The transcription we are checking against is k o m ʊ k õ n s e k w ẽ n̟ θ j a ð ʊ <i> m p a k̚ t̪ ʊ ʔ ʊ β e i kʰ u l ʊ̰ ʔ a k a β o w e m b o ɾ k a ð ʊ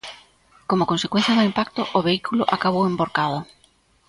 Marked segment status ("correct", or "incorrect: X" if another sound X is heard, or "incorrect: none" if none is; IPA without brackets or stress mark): correct